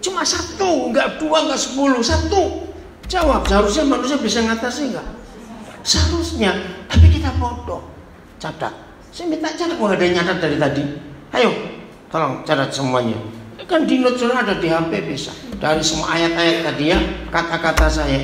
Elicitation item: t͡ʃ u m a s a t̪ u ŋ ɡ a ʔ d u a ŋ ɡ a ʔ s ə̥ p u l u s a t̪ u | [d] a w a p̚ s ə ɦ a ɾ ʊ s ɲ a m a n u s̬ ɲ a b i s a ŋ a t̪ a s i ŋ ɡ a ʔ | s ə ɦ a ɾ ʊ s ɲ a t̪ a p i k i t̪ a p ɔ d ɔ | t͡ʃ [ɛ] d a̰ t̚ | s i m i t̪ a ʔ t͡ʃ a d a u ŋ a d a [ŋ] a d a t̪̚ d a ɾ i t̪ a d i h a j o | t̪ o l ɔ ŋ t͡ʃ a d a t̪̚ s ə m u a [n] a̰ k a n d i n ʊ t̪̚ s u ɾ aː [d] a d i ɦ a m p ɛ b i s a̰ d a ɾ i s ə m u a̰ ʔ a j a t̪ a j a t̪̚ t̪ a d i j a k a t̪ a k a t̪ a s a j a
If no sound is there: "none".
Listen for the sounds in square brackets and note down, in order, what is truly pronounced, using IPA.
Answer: d͡ʒ, a, ɲ, ɲ, d

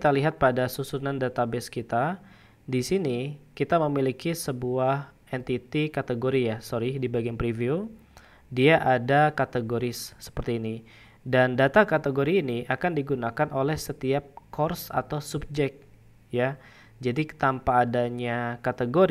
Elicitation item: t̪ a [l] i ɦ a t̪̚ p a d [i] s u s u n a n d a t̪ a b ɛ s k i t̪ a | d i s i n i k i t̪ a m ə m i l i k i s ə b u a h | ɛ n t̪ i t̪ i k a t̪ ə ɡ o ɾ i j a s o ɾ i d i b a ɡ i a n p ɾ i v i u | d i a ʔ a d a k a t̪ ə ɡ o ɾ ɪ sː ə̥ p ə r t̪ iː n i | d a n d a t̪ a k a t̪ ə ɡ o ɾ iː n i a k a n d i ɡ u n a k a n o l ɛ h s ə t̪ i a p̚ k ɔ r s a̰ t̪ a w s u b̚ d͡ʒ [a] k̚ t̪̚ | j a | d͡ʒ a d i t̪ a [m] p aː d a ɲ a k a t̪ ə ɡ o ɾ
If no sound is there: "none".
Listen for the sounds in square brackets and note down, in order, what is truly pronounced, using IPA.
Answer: l, a, ɛ, m

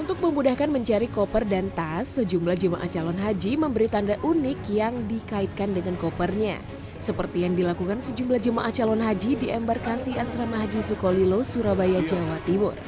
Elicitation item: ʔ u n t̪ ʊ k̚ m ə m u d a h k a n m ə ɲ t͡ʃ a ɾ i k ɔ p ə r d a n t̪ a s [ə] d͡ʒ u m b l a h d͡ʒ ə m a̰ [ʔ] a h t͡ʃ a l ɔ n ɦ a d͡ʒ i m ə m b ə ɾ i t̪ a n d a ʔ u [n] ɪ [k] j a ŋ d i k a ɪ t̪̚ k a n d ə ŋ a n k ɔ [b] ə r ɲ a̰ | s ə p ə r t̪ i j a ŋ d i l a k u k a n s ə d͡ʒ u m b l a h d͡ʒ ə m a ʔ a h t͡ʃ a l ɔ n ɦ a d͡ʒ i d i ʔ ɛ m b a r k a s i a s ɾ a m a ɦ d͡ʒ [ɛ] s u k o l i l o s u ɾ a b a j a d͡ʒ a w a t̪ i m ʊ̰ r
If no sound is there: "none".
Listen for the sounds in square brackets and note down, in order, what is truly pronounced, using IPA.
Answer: ə, ʔ, n, k, p, i

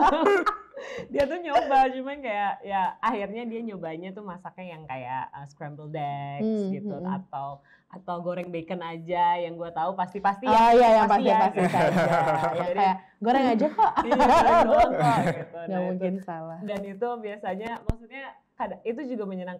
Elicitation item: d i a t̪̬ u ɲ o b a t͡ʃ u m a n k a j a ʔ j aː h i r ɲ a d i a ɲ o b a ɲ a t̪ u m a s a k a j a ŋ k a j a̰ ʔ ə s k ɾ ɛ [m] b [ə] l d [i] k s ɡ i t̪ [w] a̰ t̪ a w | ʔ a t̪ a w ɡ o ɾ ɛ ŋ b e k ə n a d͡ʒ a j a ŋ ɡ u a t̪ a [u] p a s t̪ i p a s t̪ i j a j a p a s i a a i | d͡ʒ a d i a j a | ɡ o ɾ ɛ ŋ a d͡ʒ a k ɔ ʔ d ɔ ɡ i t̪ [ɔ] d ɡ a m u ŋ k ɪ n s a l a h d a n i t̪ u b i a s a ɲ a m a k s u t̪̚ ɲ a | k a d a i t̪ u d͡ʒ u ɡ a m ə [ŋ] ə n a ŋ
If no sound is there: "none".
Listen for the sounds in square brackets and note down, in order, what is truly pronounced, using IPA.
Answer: m, ə, ɛ, u, u, u, ɲ

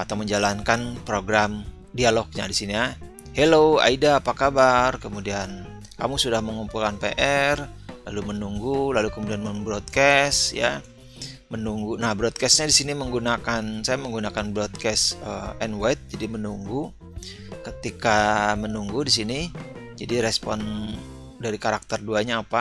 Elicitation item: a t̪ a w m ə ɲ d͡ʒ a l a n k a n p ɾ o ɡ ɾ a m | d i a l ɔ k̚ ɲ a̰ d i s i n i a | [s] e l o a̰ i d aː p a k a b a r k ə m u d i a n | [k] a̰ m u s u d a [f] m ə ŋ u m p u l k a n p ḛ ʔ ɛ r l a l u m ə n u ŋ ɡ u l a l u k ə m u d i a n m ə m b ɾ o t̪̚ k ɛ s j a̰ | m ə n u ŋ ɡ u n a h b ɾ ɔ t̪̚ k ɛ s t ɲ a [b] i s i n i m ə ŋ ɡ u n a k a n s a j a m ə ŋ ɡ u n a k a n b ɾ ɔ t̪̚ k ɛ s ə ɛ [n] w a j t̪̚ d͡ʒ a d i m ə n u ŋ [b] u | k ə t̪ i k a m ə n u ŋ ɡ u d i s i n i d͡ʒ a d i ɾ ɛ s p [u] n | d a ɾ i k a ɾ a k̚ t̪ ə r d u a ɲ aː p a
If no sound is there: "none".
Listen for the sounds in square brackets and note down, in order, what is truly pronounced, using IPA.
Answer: h, k, h, d, n, ɡ, ɔ

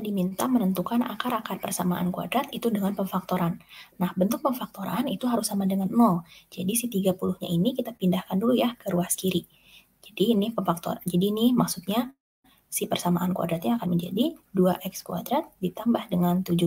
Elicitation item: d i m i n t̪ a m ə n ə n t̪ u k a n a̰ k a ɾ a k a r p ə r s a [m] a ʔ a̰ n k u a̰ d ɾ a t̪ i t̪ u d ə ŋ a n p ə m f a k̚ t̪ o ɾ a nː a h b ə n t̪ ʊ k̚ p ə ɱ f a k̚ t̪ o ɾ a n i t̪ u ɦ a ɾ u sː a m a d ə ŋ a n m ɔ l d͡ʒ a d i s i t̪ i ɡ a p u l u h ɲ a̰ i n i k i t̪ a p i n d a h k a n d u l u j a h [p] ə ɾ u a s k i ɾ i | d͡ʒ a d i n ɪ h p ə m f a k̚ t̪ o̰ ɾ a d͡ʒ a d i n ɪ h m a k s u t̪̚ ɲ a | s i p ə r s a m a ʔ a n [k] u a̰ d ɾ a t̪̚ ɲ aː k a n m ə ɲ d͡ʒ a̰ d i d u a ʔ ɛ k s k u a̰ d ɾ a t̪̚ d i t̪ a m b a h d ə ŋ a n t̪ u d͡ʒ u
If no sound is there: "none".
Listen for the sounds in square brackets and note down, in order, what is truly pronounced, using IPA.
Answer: m, k, k

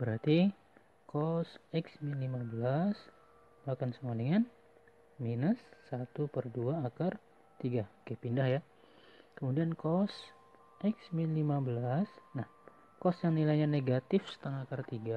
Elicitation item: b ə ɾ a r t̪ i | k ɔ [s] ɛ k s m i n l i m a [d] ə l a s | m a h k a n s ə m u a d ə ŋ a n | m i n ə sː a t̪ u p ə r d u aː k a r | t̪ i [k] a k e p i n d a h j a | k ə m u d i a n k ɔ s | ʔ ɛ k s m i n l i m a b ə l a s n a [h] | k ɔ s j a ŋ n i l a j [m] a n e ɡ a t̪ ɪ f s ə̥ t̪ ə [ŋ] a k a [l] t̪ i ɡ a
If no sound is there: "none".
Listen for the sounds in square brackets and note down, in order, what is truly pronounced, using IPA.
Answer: s, b, ɡ, h, ɲ, ŋ, r

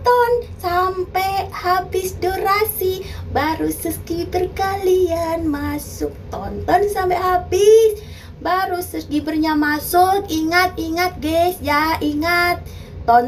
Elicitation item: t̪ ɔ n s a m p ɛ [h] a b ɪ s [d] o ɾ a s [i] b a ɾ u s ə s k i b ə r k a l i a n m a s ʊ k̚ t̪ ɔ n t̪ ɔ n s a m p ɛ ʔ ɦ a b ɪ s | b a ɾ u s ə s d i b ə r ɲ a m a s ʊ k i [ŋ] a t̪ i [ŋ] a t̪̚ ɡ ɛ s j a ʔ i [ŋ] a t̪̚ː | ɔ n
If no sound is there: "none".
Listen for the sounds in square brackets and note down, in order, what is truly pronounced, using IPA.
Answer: h, d, i, ŋ, ŋ, ŋ

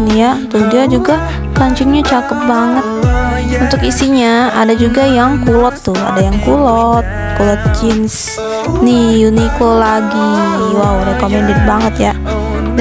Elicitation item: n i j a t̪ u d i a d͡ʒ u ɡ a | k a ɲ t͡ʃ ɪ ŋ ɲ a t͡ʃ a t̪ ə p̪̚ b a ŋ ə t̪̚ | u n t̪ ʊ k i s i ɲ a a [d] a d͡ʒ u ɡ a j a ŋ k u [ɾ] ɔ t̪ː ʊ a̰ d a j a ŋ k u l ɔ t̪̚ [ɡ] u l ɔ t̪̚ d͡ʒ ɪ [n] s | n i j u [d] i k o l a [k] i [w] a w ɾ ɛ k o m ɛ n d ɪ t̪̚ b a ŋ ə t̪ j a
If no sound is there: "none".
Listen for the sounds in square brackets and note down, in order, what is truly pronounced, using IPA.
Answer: d, l, k, n, n, ɡ, w

